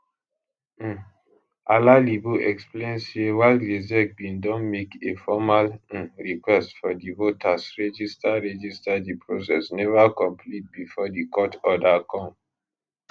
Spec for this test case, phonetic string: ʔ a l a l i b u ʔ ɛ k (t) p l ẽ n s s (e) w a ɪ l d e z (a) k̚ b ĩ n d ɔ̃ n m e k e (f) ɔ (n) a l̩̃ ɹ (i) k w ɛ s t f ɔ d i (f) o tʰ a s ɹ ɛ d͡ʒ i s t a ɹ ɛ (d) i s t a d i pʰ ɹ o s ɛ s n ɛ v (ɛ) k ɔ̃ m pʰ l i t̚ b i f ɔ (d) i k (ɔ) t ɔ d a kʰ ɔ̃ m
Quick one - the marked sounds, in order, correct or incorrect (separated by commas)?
incorrect, correct, incorrect, correct, incorrect, correct, incorrect, incorrect, incorrect, correct, correct